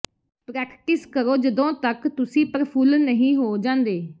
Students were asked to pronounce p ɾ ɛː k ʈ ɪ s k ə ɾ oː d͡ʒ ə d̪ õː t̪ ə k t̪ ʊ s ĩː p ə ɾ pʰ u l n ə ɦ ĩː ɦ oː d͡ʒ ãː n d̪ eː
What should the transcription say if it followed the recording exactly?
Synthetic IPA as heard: p ɾ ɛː k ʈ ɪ s k ə ɾ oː d͡ʒ ə d̪ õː t̪ ə k t̪ ʊ s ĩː p ə ɾ pʰ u l n ə ɦ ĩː ɦ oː d͡ʒ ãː n d̪ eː